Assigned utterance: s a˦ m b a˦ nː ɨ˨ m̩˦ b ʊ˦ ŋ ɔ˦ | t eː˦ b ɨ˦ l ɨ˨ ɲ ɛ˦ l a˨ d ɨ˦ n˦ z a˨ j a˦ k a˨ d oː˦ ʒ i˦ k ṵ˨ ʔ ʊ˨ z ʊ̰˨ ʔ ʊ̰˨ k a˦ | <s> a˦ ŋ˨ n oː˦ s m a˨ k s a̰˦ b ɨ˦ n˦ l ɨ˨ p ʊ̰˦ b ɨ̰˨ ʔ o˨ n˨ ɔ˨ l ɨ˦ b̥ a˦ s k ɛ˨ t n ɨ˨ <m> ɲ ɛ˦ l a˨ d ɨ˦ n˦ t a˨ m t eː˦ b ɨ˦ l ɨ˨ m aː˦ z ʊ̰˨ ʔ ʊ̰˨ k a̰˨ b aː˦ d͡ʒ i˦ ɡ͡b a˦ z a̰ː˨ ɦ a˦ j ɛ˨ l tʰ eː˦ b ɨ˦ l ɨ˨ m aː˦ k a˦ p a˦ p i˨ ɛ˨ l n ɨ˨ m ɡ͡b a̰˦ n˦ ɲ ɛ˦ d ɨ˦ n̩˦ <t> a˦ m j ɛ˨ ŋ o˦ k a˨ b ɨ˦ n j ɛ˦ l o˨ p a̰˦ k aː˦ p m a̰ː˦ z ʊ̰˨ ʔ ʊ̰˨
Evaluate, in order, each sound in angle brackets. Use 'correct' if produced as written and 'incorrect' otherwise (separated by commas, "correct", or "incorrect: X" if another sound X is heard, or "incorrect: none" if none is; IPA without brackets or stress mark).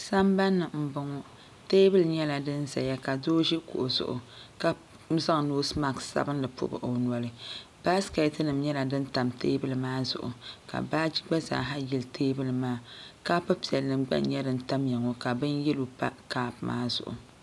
incorrect: z, correct, correct